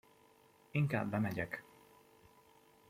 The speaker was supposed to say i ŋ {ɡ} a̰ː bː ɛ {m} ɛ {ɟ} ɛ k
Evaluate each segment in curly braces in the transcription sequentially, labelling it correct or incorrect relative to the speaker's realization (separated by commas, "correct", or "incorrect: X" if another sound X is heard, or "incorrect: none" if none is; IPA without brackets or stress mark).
incorrect: k, correct, correct